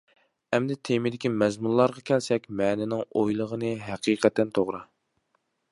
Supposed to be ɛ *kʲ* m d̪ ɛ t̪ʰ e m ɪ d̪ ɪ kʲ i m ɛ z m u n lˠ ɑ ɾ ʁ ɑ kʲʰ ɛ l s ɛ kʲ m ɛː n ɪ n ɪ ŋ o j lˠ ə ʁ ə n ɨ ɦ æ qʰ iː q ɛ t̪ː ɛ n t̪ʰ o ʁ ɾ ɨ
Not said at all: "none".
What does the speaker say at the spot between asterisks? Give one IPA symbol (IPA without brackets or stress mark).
none